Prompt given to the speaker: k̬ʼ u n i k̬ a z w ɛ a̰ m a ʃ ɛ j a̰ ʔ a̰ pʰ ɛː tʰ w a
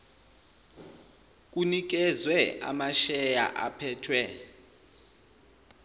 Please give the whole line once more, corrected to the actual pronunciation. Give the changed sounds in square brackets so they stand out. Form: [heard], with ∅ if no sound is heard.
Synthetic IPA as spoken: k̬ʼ u n i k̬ [ɛ] z w ɛ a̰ m a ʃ ɛ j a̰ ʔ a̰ pʰ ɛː tʰ w [ɛ]